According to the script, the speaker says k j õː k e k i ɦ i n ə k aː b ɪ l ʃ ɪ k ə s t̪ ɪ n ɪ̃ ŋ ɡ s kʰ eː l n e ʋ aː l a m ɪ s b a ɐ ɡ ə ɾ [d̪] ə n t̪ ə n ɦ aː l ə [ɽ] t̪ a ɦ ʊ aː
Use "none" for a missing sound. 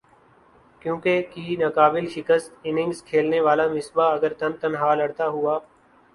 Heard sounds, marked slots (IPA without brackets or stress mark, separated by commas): t̪, ɽ